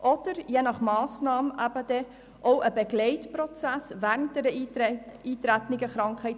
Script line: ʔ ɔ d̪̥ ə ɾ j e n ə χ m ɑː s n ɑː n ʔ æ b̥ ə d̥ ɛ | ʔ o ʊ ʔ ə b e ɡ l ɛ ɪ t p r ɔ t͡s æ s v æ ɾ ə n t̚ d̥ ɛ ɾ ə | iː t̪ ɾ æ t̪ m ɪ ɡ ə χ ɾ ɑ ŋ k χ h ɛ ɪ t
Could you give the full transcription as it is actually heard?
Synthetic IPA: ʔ ɔ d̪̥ ə ɾ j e n ɑ χ m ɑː s n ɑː m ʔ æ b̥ ə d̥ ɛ | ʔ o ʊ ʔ ə b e ɡ l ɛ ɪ t p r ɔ t͡s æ s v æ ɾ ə n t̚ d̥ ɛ ɾ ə | iː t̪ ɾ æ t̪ n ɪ ɡ ə χ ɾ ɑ ŋ k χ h ɛ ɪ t